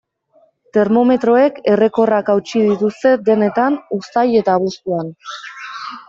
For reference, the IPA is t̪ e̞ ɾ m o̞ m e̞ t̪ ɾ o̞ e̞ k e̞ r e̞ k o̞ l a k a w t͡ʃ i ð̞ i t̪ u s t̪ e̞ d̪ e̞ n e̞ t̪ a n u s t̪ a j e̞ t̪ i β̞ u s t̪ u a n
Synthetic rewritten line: t̪ e̞ ɾ m o̞ m e̞ t̪ ɾ o̞ e̞ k e̞ r e̞ k o̞ r a k a w t͡ʃ i ð̞ i t̪ u s t̪ e̞ d̪ e̞ n e̞ t̪ a n u s t̪ a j e̞ t̪ a β̞ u s t̪ u a n